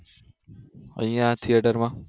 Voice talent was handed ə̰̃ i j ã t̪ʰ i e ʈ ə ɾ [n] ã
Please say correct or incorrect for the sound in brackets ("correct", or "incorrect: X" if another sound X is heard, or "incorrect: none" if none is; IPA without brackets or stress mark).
incorrect: m